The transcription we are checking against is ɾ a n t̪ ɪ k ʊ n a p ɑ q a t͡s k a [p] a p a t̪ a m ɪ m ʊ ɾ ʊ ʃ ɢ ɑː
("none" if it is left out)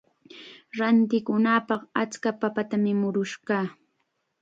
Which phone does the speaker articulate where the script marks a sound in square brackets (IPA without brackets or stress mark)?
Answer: p